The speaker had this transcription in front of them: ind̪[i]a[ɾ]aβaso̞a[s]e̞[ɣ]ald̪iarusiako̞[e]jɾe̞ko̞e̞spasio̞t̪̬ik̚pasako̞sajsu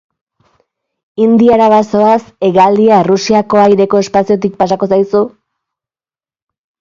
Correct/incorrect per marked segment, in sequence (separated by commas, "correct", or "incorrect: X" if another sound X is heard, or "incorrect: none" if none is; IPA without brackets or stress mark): correct, correct, correct, correct, incorrect: a